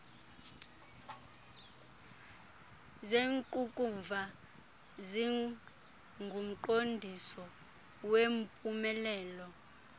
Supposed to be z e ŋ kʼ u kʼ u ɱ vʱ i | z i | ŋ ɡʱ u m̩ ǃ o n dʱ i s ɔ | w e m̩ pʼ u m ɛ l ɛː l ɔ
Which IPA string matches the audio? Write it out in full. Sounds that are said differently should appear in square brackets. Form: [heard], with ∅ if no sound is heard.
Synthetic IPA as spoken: z e ŋ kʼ u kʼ u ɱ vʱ [a] | z i | ŋ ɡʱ u m̩ ǃ o n dʱ i s ɔ | w e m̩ pʼ u m ɛ l ɛː l ɔ